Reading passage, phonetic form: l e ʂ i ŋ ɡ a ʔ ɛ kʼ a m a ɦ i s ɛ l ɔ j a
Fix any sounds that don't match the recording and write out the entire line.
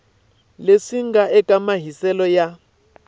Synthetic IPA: l e ʂ i ŋ ɡ a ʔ ɛ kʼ a m a ɦ i s ɛ l ɔ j a